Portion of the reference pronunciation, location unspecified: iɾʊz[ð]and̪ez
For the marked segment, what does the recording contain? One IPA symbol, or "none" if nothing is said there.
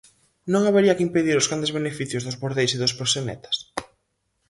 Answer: ɣ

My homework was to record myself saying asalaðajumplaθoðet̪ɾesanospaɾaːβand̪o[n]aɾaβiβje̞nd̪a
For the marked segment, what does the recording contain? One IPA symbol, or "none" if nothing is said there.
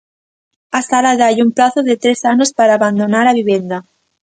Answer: n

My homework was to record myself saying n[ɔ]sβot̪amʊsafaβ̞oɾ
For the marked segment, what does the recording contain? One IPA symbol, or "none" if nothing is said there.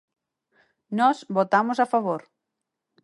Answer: ɔ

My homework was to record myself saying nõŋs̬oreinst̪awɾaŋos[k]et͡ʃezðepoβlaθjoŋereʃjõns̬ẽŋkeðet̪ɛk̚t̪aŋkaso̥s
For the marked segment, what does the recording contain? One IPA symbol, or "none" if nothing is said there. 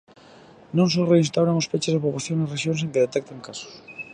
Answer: p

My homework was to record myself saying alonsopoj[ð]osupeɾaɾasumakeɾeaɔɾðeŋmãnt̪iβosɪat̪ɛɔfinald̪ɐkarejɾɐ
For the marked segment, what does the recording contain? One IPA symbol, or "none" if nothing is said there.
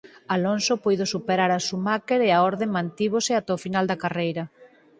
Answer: ð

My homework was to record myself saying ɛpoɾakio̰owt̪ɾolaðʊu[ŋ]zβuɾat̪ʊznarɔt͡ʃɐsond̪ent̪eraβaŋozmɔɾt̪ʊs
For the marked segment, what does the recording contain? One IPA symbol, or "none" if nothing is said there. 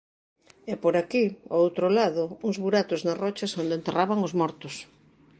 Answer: ŋ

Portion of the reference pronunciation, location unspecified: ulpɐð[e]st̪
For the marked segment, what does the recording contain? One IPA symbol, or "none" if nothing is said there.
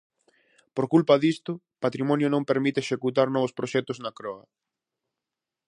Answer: i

